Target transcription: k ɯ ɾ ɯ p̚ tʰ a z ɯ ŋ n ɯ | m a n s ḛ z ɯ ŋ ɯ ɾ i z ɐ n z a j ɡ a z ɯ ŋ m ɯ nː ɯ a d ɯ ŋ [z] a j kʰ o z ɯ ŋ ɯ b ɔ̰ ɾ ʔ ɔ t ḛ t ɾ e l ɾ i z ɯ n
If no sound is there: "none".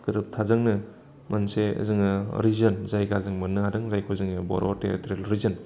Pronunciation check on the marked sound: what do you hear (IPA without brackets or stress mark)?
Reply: z